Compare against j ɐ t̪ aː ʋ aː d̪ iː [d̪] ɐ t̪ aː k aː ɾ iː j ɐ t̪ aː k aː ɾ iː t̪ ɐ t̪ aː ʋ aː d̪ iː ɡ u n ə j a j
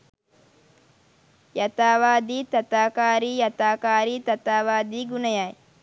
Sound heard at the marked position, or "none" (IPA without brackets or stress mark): t̪